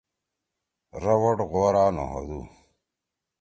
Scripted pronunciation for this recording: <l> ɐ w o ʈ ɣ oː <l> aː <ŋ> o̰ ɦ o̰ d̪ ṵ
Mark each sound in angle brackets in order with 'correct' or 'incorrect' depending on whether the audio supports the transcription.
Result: incorrect: ɾ, incorrect: ɾ, incorrect: n

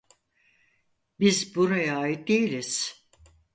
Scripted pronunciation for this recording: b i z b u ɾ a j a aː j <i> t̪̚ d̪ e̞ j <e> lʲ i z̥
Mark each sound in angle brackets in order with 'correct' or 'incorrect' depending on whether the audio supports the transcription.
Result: correct, incorrect: i

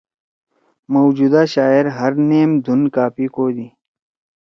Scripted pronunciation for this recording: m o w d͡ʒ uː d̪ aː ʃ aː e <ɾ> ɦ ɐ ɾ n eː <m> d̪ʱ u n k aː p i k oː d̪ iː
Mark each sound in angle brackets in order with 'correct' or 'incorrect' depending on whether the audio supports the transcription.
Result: correct, correct

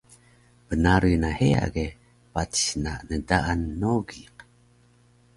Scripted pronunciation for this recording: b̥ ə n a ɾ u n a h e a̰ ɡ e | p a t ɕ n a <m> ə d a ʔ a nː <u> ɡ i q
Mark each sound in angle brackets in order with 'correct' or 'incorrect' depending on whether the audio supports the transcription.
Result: incorrect: n, incorrect: o

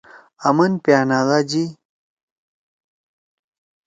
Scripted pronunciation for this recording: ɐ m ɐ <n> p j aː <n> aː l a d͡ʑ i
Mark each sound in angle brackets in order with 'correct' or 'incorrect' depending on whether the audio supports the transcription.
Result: correct, correct

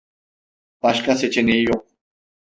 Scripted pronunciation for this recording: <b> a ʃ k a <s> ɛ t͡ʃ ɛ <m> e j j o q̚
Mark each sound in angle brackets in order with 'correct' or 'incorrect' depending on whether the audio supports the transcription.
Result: incorrect: p, correct, incorrect: n

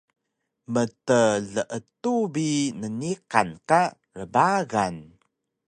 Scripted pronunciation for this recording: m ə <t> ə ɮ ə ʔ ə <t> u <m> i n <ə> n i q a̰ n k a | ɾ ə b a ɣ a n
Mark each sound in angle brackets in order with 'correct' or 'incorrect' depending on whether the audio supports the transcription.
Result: correct, correct, incorrect: b, correct

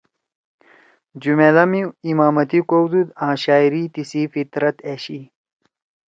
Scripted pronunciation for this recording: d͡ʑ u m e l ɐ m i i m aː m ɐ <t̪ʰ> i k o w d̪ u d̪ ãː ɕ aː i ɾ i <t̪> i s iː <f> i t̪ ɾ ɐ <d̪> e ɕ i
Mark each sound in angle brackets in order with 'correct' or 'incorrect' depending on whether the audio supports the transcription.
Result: incorrect: t̪, correct, correct, incorrect: t̪

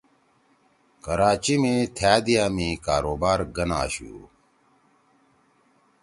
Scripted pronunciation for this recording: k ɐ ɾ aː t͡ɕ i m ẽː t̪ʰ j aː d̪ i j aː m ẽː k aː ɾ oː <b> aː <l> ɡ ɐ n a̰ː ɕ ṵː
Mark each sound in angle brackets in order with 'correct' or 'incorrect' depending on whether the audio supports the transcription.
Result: correct, incorrect: ɾ

